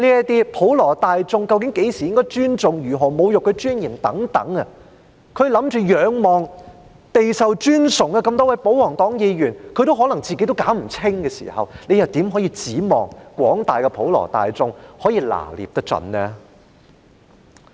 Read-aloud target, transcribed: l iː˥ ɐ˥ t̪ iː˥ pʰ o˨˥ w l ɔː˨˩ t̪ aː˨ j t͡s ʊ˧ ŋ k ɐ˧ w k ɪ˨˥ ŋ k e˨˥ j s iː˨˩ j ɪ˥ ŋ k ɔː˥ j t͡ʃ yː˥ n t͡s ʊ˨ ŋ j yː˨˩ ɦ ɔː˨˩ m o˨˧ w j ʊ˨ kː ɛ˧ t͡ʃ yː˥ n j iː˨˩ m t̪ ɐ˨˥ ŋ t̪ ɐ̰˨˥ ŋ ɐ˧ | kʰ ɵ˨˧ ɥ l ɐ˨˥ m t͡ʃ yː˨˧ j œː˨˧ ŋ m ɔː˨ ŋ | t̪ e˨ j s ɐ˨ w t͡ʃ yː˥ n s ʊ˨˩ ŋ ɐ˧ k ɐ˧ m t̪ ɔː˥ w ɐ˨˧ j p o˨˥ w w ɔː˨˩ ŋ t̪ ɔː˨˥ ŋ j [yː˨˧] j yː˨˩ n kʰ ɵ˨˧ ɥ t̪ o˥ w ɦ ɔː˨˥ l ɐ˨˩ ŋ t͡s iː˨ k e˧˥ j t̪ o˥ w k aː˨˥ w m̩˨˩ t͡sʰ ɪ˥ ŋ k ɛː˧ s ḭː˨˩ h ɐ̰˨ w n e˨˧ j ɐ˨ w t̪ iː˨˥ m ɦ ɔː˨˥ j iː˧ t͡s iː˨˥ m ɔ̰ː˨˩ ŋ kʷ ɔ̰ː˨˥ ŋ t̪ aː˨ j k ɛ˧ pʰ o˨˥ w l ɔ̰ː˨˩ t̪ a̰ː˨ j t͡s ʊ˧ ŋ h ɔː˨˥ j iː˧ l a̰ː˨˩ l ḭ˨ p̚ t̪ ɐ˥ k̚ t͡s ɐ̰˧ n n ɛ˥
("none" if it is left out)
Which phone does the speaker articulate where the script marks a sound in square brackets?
iː˨˧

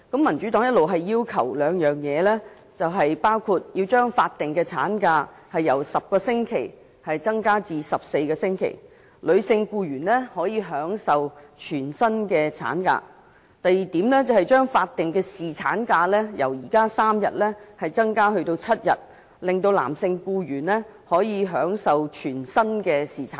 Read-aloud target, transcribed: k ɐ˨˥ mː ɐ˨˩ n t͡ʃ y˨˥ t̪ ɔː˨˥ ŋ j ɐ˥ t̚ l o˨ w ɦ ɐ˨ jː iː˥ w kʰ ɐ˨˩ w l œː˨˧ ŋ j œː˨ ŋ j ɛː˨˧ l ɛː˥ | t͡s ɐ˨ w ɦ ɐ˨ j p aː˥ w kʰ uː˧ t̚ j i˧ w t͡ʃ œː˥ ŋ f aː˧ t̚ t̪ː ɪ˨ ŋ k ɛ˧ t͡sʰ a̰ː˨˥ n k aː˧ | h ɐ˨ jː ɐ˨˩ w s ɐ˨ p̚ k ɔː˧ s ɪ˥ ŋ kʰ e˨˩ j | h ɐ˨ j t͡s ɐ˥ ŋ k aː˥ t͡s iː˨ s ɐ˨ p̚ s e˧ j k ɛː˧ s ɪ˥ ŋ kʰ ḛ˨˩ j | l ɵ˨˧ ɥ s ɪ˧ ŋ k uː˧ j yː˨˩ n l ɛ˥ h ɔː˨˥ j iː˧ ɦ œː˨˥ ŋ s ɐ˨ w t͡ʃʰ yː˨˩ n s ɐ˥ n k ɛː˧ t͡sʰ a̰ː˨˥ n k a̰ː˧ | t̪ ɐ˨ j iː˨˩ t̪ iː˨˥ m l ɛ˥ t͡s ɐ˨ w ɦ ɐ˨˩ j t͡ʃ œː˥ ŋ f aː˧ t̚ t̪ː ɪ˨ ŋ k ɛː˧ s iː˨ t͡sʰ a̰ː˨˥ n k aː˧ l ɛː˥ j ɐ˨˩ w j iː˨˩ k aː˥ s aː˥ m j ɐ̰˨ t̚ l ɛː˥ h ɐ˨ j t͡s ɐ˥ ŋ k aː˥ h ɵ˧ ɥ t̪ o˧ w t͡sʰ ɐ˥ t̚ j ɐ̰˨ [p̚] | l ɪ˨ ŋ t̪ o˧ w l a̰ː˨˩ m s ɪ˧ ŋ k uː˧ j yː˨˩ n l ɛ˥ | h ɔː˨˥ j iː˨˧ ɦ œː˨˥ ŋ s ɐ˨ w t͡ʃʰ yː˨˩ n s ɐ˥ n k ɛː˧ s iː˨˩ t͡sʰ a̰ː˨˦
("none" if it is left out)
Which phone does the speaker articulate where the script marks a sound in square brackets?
t̚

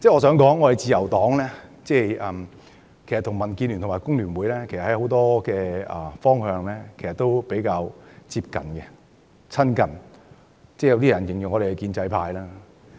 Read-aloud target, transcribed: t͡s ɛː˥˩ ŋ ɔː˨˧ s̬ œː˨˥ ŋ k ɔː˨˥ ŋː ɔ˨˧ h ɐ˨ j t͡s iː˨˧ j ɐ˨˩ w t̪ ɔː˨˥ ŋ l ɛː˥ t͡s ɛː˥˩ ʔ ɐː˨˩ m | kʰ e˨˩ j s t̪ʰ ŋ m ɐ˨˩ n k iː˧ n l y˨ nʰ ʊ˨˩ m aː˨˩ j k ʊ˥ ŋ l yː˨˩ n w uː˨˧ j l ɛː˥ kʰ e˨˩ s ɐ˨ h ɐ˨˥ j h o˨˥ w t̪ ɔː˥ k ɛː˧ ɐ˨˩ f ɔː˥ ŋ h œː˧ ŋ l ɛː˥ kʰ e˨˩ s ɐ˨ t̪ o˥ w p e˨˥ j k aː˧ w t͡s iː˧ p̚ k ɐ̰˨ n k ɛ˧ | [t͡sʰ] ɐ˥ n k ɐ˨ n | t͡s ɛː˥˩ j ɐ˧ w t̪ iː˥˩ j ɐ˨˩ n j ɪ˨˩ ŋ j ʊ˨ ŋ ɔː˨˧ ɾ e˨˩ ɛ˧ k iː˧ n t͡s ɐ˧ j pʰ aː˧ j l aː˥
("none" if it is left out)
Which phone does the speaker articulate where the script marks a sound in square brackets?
t͡sʰ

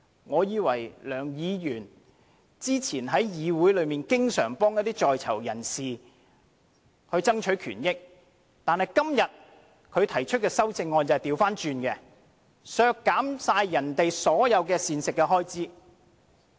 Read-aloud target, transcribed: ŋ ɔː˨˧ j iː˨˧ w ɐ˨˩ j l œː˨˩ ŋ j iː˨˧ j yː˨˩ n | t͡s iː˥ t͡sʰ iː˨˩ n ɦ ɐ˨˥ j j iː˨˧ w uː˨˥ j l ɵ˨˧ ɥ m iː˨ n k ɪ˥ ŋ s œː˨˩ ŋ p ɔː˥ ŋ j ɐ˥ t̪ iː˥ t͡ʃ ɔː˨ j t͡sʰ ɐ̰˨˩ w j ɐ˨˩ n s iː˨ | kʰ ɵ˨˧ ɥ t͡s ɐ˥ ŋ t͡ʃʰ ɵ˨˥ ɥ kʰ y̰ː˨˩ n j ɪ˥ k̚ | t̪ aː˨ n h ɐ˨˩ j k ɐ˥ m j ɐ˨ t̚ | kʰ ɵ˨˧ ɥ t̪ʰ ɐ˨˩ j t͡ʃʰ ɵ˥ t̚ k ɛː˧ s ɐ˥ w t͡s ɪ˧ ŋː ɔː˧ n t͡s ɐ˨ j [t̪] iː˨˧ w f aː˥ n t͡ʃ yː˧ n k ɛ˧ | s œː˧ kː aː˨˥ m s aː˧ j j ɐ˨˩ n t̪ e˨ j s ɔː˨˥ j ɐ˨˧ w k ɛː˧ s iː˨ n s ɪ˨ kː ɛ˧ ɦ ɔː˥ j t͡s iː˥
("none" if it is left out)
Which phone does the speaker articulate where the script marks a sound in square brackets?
t̪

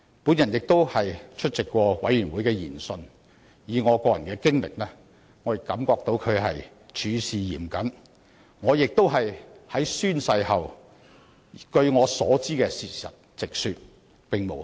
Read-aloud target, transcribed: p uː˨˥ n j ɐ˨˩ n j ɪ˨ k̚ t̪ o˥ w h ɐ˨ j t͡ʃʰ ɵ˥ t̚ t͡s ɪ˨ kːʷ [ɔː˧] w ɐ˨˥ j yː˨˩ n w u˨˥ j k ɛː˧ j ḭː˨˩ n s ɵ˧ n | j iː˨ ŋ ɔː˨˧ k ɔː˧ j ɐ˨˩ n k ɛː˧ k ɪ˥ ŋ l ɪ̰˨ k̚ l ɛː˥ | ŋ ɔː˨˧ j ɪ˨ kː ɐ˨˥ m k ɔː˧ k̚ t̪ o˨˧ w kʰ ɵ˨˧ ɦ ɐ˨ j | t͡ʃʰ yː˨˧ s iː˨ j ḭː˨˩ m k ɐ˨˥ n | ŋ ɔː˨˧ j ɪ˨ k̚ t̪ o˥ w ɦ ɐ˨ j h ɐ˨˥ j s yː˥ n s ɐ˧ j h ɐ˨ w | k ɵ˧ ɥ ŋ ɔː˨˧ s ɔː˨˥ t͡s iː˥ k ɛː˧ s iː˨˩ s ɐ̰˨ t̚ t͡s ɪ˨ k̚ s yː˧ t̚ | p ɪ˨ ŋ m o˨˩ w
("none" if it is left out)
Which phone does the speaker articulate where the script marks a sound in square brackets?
ɔː˧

